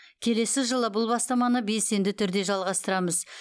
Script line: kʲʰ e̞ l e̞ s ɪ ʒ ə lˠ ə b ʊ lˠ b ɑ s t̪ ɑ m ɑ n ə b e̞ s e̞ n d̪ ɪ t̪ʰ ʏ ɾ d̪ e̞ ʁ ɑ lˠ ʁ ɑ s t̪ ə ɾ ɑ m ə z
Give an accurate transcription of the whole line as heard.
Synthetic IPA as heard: kʲʰ e̞ l e̞ s ɪ ʒ ə lˠ ə b ʊ lˠ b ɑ s t̪ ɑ m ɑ n ə b e̞ s e̞ n d̪ ɪ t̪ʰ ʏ ɾ d̪ e̞ ʒ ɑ lˠ ʁ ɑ s t̪ ə ɾ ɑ m ə z